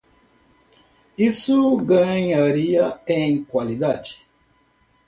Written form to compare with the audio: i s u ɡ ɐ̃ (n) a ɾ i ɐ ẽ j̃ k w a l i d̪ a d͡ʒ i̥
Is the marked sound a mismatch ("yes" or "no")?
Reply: yes